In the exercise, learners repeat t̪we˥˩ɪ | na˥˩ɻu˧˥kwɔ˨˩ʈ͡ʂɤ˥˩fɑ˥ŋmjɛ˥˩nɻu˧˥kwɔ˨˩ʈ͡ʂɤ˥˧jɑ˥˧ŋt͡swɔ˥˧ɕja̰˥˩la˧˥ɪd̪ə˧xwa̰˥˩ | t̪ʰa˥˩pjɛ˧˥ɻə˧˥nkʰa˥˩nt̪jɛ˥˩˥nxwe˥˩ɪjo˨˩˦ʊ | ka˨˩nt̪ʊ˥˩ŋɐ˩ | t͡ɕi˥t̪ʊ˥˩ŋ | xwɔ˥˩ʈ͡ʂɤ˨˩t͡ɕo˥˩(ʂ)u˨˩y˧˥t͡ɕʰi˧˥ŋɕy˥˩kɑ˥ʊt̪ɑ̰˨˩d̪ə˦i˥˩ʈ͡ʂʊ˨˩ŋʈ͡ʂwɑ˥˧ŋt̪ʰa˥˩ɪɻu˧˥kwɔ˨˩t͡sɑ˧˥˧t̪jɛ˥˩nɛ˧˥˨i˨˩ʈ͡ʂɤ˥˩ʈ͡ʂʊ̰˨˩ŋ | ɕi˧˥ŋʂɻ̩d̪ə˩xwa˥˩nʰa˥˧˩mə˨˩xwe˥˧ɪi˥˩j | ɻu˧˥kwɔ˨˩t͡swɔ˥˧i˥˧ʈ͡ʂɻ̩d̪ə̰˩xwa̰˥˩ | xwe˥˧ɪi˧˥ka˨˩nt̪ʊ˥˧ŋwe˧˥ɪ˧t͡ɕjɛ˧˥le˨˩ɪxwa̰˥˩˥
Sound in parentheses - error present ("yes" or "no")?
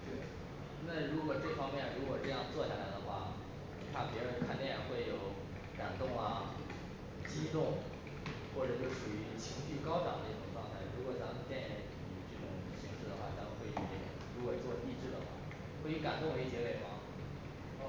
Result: no